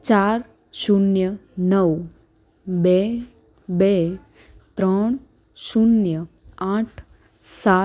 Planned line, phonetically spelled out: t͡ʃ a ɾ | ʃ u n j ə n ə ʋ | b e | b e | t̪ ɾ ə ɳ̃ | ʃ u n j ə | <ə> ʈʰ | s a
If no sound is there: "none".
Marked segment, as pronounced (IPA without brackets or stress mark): a